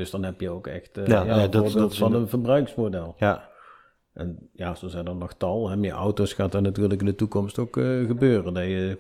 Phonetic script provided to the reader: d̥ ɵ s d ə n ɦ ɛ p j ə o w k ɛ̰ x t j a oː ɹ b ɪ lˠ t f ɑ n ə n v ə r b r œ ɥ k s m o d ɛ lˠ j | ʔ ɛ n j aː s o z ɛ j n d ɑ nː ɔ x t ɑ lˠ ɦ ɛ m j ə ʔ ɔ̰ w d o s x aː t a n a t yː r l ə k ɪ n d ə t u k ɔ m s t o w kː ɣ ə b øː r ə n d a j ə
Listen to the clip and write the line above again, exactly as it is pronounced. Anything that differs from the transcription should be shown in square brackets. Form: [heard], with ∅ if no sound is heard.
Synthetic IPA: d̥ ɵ s d [ɑ] n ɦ ɛ p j ə o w k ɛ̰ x t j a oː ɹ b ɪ lˠ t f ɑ n ə n v ə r b r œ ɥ k s m o d ɛ lˠ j | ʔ ɛ n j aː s o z ɛ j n d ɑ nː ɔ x t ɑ lˠ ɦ ɛ m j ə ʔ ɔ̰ w [t] o s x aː t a n a t yː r l ə k ɪ n d ə t u k ɔ m s t o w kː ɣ ə b øː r ə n d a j ə